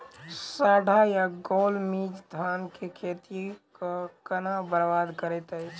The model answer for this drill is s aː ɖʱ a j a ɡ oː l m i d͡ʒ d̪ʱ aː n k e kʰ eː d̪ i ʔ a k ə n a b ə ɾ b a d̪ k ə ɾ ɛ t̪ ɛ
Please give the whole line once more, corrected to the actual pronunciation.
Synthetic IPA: s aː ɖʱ a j a ɡ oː l m i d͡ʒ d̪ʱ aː n k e kʰ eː t̪ i k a k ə n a b ə ɾ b a d̪ k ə ɾ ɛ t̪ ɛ